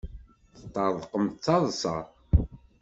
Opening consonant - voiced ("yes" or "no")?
no